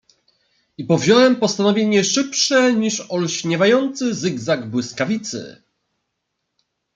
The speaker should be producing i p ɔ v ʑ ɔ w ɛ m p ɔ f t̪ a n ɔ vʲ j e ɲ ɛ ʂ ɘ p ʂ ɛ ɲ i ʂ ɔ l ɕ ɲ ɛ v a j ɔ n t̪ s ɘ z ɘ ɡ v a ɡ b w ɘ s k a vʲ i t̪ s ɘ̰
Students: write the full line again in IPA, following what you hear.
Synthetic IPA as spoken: i p ɔ v ʑ ɔ w ɛ m p ɔ s t̪ a n ɔ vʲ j e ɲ ɛ ʂ ɘ p ʂ ɛ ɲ i ʂ ɔ l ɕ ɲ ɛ v a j ɔ n t̪ s ɘ z ɘ ɡ z a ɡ b w ɘ s k a vʲ i t̪ s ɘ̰